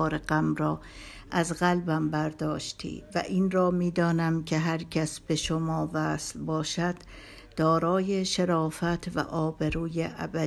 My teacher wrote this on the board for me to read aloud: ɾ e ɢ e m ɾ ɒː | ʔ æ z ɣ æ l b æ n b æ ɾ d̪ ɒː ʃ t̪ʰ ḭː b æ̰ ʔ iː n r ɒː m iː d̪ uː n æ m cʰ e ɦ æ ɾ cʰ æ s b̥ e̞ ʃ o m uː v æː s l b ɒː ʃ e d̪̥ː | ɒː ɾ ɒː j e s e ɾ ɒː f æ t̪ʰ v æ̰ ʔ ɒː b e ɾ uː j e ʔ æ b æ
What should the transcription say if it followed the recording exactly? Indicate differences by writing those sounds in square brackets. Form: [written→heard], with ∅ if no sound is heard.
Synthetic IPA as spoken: ɾ e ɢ [e→æ] m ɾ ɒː | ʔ æ z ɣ æ l b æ [n→m] b æ ɾ d̪ ɒː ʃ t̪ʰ ḭː [b→v] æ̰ ʔ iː n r ɒː m iː d̪ [uː→ɒː] n æ m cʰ e ɦ æ ɾ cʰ æ s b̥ e̞ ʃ o m [uː→ɒː] v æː s l b ɒː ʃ [e→æ] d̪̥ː | ɒː ɾ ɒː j e [s→ʃ] e ɾ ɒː f æ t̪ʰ v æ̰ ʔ ɒː b e ɾ uː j e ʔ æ b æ